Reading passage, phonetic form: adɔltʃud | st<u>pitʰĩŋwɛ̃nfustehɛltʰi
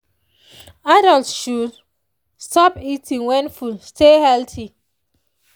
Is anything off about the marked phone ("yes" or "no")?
yes